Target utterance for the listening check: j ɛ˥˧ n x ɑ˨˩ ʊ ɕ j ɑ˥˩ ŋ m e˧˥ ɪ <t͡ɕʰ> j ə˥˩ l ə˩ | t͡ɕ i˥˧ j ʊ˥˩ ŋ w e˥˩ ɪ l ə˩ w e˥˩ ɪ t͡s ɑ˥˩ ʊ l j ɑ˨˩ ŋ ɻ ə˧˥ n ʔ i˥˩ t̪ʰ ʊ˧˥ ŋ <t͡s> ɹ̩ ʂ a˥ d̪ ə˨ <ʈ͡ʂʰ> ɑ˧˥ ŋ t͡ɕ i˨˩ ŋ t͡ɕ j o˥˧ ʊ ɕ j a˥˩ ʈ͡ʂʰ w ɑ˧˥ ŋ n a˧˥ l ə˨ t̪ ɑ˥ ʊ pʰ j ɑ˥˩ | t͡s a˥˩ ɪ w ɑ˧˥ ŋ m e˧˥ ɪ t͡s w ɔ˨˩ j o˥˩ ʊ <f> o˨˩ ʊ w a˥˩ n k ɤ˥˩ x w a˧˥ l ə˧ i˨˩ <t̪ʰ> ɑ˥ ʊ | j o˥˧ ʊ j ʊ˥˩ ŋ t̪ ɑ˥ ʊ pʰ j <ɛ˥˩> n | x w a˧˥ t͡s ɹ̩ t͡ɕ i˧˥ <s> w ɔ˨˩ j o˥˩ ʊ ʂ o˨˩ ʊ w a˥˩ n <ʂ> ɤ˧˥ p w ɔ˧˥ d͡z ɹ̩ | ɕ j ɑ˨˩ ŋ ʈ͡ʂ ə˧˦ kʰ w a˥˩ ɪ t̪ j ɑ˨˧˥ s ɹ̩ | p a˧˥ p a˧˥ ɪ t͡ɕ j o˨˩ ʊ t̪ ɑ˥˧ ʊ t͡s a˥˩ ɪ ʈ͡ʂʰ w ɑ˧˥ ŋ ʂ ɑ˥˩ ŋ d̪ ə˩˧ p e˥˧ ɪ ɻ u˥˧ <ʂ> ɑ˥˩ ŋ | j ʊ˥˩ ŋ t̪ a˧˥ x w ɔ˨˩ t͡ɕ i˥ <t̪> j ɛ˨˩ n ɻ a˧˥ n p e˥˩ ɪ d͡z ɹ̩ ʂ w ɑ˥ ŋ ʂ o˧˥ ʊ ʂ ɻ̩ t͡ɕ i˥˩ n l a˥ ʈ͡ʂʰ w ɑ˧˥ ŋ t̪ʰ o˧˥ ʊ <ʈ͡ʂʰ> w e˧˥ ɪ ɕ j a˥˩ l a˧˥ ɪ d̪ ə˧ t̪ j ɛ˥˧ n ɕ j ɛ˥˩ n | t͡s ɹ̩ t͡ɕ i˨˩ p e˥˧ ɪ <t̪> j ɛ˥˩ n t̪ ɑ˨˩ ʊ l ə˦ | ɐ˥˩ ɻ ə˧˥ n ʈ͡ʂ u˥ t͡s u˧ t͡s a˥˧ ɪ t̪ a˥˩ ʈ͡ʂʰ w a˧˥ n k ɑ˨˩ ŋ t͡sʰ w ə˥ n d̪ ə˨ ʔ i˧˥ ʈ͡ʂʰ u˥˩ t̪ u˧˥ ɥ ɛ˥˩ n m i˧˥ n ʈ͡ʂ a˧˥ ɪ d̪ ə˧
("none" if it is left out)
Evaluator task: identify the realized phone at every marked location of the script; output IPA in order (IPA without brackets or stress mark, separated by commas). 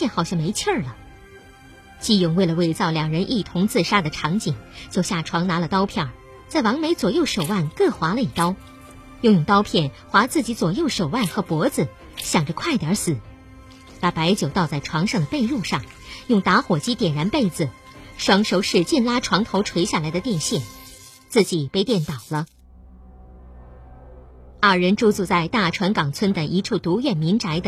t͡ɕʰ, t͡s, ʈ͡ʂʰ, ʂ, t̪, ɛ˥˩, t͡s, x, ʂ, t̪, ʈ͡ʂʰ, t̪